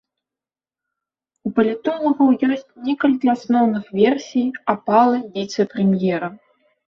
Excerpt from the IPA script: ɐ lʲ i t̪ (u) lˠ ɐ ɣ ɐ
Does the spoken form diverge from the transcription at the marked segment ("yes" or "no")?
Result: yes